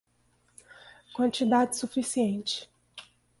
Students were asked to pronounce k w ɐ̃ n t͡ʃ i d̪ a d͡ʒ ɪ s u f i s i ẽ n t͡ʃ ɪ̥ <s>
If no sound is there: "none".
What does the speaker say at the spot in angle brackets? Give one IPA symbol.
none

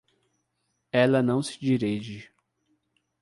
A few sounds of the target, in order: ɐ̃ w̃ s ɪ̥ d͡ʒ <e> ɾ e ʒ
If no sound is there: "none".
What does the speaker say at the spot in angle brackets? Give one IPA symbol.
i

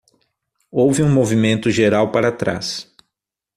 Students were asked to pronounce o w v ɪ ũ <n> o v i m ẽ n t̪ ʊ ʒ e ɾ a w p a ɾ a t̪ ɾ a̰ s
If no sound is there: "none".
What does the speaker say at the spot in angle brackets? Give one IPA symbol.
m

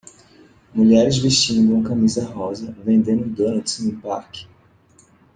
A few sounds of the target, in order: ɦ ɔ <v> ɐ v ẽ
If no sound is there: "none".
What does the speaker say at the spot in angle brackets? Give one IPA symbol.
z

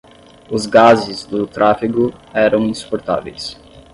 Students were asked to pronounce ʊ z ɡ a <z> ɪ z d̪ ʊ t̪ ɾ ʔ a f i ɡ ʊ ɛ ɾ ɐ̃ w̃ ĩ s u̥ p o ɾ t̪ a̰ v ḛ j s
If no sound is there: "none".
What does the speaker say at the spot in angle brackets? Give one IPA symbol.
z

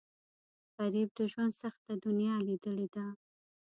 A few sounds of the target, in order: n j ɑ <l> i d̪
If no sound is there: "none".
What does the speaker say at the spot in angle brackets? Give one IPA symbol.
l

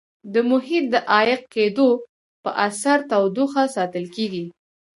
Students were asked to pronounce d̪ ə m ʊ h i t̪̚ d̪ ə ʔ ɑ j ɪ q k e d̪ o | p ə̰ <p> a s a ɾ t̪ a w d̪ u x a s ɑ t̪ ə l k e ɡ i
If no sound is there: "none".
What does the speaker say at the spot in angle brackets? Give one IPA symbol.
ʔ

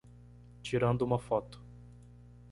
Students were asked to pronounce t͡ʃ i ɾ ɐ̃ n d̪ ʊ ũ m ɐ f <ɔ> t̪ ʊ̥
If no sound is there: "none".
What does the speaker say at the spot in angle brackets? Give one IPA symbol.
ɔ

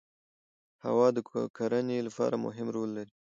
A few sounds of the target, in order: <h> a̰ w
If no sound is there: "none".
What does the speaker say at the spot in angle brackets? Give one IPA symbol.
h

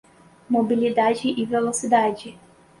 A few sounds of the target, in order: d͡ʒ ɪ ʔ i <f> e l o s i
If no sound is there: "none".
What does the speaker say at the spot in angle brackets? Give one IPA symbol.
v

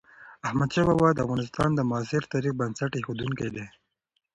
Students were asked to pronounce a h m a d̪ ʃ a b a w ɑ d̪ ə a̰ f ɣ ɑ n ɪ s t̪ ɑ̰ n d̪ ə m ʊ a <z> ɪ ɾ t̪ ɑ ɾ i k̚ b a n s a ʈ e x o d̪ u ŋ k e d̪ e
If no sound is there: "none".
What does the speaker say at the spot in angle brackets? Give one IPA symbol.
s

